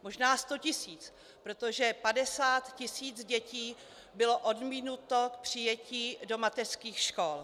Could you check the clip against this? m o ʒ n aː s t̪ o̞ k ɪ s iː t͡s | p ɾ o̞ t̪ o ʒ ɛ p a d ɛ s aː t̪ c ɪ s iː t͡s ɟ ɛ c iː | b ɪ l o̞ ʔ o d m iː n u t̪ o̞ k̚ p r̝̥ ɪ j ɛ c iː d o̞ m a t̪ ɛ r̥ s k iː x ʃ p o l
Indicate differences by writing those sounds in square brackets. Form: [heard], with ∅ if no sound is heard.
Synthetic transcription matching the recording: m o ʒ n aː s t̪ o̞ [c] ɪ s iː t͡s | p ɾ o̞ t̪ o ʒ ɛ p a d ɛ s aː t̪ c ɪ s iː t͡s ɟ ɛ c iː | b ɪ l o̞ ʔ o d m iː n u t̪ o̞ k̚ p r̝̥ ɪ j ɛ c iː d o̞ m a t̪ ɛ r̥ s k iː x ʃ [k] o l